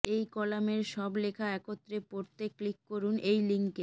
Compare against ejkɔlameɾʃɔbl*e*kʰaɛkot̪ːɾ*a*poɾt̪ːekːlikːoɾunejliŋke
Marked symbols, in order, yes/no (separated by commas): yes, no